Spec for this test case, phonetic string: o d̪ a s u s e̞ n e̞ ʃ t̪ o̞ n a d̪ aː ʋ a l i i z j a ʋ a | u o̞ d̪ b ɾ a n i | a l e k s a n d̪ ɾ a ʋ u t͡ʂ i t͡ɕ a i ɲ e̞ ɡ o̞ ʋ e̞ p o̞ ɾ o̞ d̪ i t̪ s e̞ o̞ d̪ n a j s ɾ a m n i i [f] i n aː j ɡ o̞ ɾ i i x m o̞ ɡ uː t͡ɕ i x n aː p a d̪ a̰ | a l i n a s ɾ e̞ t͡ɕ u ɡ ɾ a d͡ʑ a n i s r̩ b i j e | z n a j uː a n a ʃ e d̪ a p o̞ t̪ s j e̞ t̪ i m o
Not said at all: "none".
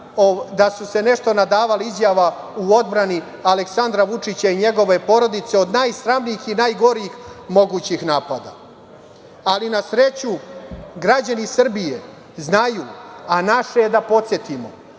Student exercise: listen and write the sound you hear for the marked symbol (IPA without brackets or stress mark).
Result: x